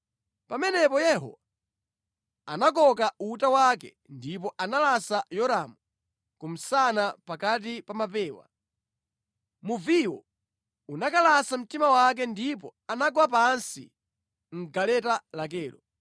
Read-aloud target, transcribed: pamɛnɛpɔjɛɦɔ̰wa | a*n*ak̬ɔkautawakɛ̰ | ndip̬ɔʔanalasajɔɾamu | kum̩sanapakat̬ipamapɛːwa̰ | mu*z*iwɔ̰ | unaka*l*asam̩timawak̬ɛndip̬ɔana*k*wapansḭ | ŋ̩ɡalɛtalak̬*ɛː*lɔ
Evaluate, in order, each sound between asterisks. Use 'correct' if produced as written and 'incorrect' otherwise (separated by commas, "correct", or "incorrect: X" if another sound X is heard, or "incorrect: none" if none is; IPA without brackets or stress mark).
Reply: correct, incorrect: v, correct, incorrect: ɡ, correct